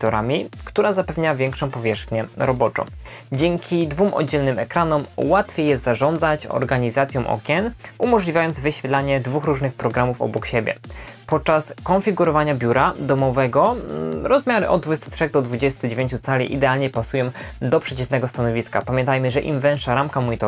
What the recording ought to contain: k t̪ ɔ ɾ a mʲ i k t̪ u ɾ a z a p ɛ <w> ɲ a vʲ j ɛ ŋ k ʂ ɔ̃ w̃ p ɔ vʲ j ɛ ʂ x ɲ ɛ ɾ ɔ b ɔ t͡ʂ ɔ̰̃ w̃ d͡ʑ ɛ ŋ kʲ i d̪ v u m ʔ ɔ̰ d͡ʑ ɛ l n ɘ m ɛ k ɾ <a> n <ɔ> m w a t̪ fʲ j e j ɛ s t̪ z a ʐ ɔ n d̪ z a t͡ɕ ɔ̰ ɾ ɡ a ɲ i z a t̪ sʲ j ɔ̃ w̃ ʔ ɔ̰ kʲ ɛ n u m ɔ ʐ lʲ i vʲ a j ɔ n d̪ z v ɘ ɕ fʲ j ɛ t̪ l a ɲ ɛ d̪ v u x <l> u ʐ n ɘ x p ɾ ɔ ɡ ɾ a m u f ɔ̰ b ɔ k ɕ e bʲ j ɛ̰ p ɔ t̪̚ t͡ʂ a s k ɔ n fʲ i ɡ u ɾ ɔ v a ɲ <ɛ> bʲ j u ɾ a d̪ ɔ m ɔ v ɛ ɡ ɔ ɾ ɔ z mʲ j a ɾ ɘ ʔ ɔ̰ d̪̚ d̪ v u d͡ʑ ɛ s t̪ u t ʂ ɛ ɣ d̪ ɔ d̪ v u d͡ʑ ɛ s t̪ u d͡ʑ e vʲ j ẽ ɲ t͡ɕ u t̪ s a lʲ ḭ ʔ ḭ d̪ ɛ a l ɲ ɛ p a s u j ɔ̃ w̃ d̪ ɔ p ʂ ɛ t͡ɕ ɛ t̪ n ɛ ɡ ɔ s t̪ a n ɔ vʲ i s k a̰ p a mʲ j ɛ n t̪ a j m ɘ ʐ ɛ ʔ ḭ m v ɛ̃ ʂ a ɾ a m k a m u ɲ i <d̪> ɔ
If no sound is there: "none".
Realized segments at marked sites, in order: v, a, ɔ, ɾ, a, t̪

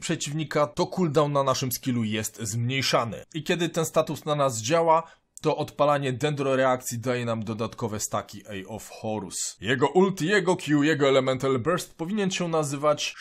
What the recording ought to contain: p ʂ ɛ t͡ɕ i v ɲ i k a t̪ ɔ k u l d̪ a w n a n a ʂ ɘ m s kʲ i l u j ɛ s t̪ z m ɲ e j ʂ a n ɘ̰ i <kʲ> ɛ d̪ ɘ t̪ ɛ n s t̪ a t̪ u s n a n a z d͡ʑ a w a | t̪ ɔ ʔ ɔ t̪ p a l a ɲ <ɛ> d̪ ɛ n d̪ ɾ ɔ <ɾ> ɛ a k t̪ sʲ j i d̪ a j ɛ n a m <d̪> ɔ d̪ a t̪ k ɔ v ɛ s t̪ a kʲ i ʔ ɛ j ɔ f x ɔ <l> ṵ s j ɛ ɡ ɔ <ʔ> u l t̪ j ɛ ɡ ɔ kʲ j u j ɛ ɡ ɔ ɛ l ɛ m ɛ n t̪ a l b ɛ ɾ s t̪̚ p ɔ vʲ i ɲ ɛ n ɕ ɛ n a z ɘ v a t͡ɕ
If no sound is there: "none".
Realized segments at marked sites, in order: kʲ, ɛ, ɾ, d̪, ɾ, ʔ

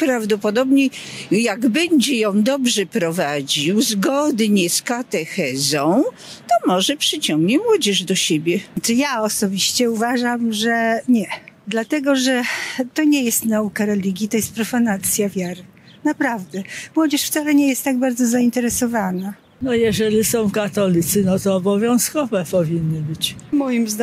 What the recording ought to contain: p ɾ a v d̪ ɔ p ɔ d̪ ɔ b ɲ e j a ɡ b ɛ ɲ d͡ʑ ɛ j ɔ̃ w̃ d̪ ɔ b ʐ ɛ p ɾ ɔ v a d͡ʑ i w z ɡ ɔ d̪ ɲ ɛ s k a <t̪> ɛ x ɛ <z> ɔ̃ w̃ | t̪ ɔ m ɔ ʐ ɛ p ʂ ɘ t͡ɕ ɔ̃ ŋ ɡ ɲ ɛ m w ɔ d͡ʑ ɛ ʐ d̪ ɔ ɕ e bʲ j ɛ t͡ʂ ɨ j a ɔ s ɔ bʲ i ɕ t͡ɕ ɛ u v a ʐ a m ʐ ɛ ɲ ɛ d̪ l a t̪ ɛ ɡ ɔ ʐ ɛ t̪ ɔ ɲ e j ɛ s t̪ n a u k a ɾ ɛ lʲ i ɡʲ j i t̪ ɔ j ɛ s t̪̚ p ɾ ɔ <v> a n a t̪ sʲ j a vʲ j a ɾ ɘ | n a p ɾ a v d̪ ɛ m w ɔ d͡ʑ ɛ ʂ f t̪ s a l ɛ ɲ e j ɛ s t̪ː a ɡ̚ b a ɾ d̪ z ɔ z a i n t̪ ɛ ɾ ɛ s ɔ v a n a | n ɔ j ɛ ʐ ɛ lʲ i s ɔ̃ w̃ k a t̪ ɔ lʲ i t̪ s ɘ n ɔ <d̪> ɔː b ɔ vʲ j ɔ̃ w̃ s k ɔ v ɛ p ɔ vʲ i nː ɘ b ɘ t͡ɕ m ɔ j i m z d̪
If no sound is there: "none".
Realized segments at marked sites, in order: t̪, z, f, t̪

